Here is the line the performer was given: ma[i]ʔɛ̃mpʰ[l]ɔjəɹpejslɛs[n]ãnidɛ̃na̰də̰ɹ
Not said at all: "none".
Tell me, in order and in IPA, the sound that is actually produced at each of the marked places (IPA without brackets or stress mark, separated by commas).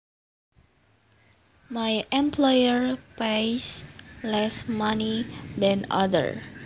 j, l, m